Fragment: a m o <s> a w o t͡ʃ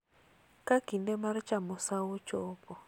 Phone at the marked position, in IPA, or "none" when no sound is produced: s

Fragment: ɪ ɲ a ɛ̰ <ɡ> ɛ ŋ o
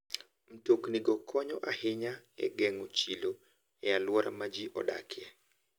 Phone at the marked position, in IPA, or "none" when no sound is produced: ɡ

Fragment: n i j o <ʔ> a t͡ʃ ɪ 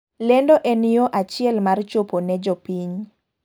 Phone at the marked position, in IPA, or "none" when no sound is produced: ʔ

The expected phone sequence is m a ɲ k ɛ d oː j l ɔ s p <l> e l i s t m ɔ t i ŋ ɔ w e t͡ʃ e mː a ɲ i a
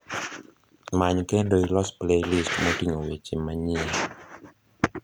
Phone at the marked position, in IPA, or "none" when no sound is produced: l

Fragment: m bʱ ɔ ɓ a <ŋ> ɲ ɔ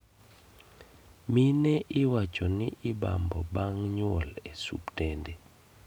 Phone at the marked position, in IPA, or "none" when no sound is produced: ŋ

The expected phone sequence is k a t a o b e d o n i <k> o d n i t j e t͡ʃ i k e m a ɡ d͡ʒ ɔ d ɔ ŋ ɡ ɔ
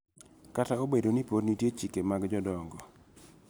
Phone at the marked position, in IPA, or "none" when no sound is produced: p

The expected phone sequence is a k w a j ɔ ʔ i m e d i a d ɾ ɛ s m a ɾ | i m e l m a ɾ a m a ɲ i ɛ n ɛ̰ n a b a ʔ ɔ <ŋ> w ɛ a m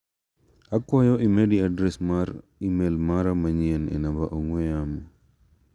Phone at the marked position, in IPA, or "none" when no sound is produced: ŋ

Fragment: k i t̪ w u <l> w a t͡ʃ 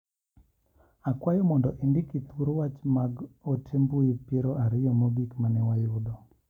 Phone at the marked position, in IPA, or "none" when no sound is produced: ɾ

